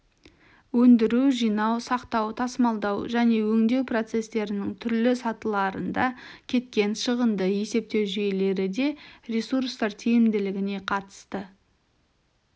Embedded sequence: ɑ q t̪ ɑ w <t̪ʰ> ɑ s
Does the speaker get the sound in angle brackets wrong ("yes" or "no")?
no